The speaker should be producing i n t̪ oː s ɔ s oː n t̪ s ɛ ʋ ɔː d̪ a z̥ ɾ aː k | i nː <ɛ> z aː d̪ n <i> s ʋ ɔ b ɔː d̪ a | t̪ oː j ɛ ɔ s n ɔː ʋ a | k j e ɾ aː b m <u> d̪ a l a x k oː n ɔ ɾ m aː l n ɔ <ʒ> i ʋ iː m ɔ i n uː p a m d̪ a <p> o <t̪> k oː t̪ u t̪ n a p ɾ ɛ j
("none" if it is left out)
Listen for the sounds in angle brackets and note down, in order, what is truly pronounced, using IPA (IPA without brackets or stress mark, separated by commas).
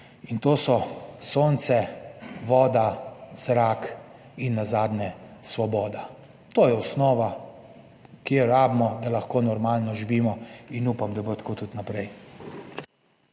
a, ɛ, ɔ, ʒ, b, t̪